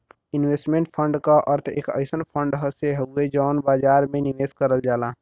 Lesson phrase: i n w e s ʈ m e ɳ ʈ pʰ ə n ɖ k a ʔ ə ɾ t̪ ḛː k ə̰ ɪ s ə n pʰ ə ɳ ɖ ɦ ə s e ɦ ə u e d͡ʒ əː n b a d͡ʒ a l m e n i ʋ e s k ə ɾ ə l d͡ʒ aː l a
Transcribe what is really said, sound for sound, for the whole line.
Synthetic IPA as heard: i n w e s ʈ m e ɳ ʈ pʰ ə ɳ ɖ k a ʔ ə ɾ t̪ʰ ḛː k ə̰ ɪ s ə n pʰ ə ɳ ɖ ɦ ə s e ɦ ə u e d͡ʒ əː n b a d͡ʒ a ɾ m e n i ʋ e s k ə ɾ ə l d͡ʒ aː l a